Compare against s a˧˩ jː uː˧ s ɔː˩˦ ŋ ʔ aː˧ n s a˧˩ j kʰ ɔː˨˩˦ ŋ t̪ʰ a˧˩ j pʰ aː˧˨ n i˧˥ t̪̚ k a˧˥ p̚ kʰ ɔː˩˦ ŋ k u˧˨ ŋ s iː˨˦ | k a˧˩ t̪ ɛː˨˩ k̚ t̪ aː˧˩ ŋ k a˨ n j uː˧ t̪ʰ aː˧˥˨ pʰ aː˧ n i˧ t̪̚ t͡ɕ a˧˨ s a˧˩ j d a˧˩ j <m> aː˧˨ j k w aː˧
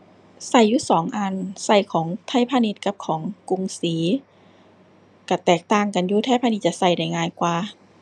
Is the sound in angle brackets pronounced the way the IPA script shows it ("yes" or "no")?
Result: no